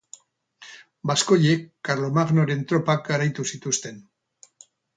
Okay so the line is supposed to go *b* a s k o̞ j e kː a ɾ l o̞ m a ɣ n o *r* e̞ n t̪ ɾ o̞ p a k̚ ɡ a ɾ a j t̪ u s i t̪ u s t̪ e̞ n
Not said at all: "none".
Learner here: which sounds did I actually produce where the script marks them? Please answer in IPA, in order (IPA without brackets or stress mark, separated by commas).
b, ɾ